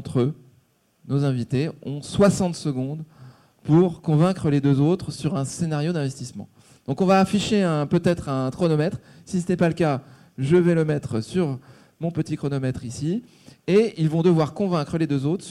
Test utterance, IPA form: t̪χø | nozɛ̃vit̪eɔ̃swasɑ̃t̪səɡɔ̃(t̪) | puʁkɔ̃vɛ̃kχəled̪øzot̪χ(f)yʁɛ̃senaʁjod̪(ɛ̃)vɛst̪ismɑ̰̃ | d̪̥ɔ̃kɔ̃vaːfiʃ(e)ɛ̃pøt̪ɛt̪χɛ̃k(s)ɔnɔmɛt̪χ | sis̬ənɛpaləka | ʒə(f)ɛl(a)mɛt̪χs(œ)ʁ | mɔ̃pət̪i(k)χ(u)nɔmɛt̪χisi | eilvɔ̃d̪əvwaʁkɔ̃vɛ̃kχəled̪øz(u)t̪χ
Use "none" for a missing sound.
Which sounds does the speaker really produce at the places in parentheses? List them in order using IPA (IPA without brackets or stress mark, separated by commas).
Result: d̪, s, ɛ̃, e, χ, v, ə, y, k, ɔ, o